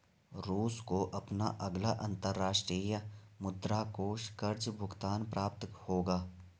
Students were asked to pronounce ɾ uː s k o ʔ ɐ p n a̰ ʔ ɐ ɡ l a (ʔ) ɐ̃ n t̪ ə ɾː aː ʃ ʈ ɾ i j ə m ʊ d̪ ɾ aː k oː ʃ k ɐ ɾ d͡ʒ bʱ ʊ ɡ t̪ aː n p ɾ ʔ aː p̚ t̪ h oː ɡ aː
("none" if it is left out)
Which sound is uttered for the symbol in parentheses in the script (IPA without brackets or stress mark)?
ʔ